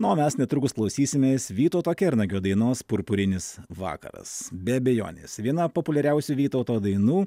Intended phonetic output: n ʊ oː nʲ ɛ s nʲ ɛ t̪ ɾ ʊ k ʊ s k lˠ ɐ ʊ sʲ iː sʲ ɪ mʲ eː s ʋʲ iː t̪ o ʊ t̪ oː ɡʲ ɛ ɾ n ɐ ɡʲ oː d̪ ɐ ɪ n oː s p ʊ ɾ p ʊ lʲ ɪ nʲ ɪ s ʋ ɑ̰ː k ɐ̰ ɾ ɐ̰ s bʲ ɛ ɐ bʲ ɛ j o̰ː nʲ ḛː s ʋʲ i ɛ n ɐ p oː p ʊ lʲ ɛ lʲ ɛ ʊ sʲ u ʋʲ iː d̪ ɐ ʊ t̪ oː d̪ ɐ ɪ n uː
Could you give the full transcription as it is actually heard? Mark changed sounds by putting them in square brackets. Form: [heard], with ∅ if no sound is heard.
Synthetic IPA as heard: n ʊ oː [mʲ] ɛ s nʲ ɛ t̪ ɾ ʊ k ʊ s k lˠ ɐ ʊ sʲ iː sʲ ɪ mʲ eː s ʋʲ iː t̪ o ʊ t̪ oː [kʲ] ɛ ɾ n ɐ ɡʲ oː d̪ ɐ ɪ n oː s p ʊ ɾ p ʊ [ɾʲ] ɪ nʲ ɪ s ʋ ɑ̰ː k ɐ̰ ɾ ɐ̰ s bʲ ɛ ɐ bʲ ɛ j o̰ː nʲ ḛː s ʋʲ i ɛ n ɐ p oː p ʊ lʲ ɛ [ɾʲ] ɛ ʊ sʲ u ʋʲ iː [t̪] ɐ ʊ t̪ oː d̪ ɐ ɪ n uː